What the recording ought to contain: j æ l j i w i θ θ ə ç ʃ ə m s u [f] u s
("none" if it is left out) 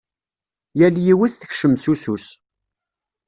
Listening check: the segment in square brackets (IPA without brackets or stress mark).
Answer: s